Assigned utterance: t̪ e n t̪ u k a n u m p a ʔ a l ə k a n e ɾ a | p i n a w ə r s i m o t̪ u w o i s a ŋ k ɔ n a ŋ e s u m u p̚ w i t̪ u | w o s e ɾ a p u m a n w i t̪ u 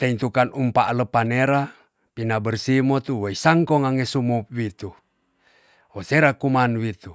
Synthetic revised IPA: t̪ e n t̪ u k a n u m p a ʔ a l ə p a n e ɾ a | p i n a b ə r s i m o t̪ u w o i s a ŋ k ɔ ŋ a ŋ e s u m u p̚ w i t̪ u | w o s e ɾ a k u m a n w i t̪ u